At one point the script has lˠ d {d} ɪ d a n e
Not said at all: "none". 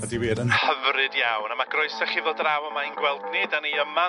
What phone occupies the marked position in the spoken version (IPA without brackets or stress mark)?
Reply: n